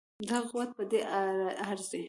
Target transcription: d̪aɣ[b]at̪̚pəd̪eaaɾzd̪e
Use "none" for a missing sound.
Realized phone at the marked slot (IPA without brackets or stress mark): w